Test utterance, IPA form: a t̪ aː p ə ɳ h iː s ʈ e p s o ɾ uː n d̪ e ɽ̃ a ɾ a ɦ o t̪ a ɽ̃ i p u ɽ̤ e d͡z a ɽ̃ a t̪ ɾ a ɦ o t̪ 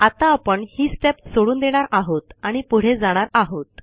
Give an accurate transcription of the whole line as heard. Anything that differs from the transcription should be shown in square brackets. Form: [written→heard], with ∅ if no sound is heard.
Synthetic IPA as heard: a t̪ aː p ə ɳ h iː s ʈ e p s o [ɾ→ɽ] uː n d̪ e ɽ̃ a ɾ a ɦ o t̪ a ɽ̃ i p u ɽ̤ e d͡z a ɽ̃ a [t̪→∅] ɾ a ɦ o t̪

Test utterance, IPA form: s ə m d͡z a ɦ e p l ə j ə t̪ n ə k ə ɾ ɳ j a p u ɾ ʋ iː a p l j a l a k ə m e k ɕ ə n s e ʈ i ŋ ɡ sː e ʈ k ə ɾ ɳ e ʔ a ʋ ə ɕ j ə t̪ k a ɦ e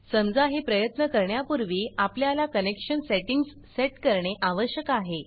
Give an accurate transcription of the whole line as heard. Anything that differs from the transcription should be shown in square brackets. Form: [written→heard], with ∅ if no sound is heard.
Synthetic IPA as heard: s ə m d͡z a ɦ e p [l→ɾ] ə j ə t̪ n ə k ə ɾ ɳ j a p u ɾ ʋ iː a p l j a l a k ə [m→n] e k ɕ ə n s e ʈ i ŋ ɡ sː e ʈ k ə ɾ ɳ e ʔ a ʋ ə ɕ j ə [t̪→∅] k a ɦ e

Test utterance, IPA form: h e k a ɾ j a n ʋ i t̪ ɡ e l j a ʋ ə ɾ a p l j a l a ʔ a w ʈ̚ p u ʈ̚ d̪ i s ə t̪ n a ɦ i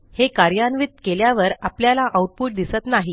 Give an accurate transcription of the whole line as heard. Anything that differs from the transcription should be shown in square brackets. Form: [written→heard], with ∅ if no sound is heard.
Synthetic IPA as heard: h e k a ɾ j a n ʋ i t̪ [ɡ→k] e l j a ʋ ə ɾ a p l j a l a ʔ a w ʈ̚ p u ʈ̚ d̪ i s ə t̪ n a ɦ i

